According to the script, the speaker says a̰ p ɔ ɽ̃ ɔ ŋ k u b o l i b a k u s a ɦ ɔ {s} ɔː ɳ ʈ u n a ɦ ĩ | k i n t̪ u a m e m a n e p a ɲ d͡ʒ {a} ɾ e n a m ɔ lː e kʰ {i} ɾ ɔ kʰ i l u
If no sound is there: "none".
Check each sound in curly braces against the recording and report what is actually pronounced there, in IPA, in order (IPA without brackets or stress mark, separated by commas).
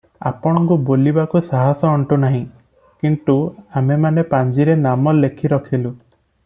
s, i, i